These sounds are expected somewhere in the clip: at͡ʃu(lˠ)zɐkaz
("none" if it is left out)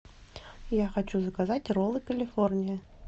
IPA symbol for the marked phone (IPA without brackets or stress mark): none